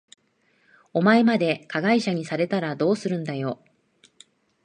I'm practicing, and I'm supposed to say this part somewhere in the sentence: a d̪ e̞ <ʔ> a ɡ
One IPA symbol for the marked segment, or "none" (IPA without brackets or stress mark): k